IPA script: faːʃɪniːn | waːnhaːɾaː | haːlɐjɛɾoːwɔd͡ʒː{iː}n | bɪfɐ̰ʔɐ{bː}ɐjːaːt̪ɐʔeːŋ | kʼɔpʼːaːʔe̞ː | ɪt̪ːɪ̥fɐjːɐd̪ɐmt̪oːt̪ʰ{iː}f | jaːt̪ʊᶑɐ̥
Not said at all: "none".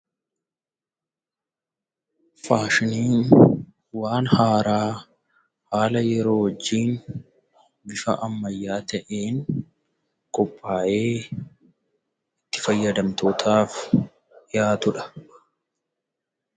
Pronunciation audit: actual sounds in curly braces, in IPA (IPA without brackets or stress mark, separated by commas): iː, mː, aː